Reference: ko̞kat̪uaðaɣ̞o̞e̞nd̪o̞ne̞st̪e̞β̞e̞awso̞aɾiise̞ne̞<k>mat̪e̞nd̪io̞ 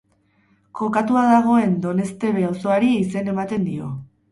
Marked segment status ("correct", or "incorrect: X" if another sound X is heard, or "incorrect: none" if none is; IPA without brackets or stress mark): incorrect: none